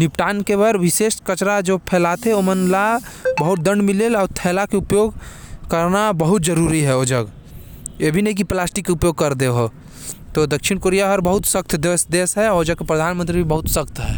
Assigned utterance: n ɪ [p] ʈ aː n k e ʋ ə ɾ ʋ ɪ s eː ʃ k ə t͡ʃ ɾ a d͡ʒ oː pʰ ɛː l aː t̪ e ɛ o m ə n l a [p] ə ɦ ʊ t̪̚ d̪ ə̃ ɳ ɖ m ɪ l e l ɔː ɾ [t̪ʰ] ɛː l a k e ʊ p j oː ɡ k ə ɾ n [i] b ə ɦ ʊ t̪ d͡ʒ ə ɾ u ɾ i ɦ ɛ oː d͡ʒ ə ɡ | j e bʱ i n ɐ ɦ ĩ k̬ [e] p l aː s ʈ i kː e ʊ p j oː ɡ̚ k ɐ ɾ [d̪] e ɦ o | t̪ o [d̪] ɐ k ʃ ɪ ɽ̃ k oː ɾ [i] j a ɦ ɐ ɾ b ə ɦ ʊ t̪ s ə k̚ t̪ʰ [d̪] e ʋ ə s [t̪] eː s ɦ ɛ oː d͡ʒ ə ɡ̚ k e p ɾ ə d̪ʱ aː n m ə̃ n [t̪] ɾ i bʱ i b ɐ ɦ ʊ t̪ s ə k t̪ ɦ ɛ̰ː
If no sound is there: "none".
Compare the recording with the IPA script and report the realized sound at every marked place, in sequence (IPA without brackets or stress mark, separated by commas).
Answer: p, b, t̪ʰ, a, i, d̪, d̪, i, d̪, d̪, t̪